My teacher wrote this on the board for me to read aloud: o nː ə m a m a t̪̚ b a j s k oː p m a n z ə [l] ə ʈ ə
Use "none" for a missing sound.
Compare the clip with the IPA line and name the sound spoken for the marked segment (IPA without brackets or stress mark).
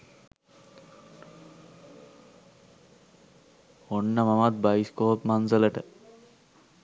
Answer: l